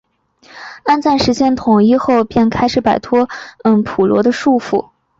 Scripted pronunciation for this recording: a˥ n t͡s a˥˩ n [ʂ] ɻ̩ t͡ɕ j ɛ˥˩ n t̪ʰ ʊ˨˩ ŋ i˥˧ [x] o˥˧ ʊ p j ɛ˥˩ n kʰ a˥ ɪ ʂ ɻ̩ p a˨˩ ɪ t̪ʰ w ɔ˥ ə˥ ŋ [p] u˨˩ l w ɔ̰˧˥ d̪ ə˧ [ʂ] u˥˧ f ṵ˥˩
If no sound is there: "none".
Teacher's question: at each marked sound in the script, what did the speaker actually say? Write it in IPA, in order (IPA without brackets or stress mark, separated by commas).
ʂ, x, pʰ, ʂ